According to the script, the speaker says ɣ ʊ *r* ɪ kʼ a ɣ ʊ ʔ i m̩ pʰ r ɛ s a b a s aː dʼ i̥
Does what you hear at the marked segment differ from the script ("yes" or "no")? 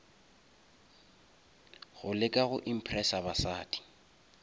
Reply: yes